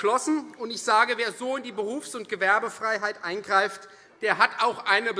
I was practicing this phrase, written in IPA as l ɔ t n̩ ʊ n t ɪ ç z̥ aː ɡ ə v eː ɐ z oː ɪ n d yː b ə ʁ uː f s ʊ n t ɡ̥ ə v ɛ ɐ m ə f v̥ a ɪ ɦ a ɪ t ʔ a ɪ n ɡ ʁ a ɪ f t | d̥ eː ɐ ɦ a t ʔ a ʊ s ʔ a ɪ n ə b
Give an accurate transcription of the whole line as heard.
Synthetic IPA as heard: l ɔ s n̩ ʊ n t ɪ ç z̥ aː ɡ ə v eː ɐ z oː ɪ n d iː b ə ʁ uː f s ʊ n t ɡ̥ ə v ɛ ɐ b ə f ʁ̥ a ɪ ɦ a ɪ t ʔ a ɪ n ɡ ʁ a ɪ f t | d̥ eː ɐ ɦ a t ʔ a ʊ x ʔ a ɪ n ə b